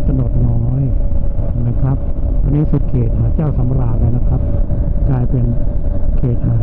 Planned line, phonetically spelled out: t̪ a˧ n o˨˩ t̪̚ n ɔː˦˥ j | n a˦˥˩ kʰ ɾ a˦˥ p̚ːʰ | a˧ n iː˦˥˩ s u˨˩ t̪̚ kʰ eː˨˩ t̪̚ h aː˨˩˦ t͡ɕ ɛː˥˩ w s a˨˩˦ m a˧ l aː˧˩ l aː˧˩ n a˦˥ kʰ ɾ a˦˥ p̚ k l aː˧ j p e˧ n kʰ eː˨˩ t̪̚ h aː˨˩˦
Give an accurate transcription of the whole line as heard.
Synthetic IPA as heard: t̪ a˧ n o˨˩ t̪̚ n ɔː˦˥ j | n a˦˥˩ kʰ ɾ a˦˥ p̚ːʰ | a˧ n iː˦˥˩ s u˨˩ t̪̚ kʰ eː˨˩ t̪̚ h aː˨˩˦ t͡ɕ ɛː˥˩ w s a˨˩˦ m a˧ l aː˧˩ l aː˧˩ n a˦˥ kʰ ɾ a˦˥ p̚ k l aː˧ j p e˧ n kʰ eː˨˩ t̪̚ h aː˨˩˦

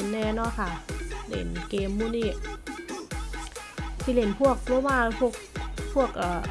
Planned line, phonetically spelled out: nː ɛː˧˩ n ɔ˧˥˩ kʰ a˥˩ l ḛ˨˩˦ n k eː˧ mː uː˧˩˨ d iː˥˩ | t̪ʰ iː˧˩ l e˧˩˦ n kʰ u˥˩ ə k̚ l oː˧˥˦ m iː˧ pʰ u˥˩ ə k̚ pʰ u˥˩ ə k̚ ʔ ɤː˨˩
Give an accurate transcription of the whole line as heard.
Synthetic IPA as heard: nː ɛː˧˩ n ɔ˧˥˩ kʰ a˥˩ l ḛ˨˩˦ n k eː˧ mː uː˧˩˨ n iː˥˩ | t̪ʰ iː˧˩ l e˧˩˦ n pʰ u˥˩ ə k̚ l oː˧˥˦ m aː˧ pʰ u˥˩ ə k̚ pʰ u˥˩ ə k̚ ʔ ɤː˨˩

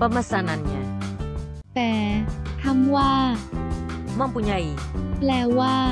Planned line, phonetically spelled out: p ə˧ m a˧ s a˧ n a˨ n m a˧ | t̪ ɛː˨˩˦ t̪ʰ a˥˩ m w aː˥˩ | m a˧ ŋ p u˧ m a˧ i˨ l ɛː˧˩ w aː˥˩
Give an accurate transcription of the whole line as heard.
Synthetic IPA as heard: p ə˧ m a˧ s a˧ n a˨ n ɲ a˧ | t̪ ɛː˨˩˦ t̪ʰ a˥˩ m w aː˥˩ | m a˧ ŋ p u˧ ɲ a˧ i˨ l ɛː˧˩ w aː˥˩

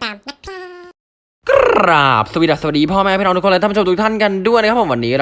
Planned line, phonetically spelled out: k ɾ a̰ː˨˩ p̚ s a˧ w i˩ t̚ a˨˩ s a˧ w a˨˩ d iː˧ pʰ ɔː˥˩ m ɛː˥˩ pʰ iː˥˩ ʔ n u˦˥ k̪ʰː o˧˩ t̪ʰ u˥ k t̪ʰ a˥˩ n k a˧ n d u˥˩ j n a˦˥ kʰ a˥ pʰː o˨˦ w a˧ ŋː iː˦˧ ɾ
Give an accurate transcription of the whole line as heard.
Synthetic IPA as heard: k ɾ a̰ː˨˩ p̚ s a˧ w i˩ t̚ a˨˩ s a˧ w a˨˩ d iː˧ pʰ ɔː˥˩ m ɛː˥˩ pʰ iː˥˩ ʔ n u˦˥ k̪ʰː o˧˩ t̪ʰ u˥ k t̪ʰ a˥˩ n k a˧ n d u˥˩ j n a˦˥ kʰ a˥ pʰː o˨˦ w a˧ nː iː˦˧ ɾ

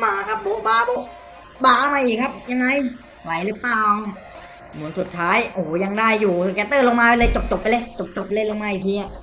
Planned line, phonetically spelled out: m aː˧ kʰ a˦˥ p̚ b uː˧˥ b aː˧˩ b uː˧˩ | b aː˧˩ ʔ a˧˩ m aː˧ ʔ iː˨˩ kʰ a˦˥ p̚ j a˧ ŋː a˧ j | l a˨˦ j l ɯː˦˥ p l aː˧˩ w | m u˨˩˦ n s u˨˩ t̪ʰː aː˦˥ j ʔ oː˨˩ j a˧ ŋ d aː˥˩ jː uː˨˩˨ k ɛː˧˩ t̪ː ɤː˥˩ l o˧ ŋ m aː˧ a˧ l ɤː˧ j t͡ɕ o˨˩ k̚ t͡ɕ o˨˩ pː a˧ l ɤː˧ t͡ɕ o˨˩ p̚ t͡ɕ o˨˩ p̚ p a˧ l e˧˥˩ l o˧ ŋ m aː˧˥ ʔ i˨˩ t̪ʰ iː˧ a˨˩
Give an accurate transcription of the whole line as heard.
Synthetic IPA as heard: m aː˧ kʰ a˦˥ p̚ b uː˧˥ b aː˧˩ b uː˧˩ | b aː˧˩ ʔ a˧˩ m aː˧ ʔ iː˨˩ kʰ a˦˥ p̚ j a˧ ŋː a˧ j | l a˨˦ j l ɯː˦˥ p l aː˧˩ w | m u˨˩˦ n s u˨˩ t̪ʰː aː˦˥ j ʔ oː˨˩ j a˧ ŋ d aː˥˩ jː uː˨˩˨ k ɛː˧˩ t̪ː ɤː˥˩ l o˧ ŋ m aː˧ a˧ l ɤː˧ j t͡ɕ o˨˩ p̚ t͡ɕ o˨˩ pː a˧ l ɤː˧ t͡ɕ o˨˩ p̚ t͡ɕ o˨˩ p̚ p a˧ l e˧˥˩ l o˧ ŋ m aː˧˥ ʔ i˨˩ t̪ʰ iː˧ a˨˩

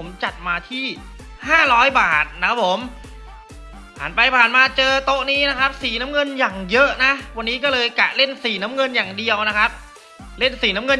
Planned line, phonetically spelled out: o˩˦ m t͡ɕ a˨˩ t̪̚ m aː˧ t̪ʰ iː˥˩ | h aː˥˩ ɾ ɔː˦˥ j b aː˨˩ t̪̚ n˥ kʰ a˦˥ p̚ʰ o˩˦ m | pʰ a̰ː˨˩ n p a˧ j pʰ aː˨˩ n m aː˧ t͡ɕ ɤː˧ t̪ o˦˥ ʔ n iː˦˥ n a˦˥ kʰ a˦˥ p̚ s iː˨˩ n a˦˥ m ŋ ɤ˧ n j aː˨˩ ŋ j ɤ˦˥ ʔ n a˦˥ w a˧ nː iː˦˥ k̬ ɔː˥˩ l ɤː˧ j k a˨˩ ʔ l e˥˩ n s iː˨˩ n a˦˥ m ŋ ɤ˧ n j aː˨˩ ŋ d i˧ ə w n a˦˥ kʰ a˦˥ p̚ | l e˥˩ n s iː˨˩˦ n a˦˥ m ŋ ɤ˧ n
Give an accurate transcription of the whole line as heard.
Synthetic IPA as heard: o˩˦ m t͡ɕ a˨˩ t̪̚ m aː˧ t̪ʰ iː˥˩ | h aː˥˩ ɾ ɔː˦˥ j b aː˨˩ t̪̚ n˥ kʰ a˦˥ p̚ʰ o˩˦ m | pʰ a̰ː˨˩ n p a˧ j pʰ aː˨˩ n m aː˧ t͡ɕ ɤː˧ t̪ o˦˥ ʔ n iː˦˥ n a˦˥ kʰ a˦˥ p̚ s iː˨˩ n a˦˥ m ŋ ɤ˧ n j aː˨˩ ŋ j ɤ˦˥ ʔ n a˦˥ w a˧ nː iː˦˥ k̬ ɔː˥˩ l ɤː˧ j k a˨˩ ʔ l e˥˩ n s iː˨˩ n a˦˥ m ŋ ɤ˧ n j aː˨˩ ŋ d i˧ ə w n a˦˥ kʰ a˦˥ p̚ | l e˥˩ n s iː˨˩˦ n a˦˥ m ŋ ɤ˧ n

